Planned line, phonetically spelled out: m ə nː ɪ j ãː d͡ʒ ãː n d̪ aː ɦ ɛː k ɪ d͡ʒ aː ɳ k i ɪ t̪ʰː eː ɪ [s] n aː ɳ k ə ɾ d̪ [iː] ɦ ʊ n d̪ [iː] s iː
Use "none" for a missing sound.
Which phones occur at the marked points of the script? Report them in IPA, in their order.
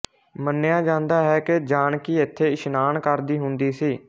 ʃ, iː, iː

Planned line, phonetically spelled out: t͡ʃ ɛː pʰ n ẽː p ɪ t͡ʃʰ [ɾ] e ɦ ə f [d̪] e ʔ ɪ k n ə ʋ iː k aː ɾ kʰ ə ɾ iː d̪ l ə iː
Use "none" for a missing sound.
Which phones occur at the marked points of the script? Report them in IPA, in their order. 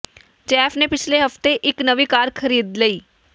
l, t̪

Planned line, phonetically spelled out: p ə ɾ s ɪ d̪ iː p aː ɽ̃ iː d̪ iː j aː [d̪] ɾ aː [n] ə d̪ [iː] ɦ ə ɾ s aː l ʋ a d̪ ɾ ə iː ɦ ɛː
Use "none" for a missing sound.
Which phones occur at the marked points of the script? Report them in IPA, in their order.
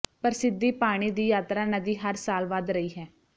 t̪, n, iː

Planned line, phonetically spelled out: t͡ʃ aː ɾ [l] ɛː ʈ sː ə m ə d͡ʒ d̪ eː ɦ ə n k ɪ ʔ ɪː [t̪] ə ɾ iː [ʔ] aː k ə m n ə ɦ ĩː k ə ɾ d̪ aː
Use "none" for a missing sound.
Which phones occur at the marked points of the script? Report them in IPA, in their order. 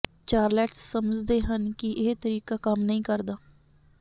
l, t̪, k

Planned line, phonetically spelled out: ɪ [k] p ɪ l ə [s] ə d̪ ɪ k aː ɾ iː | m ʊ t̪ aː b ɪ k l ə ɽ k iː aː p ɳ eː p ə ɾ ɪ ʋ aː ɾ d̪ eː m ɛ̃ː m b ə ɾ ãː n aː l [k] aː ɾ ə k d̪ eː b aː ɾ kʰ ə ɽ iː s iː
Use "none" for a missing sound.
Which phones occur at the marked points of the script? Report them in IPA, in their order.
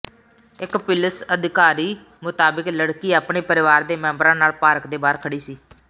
k, s, p

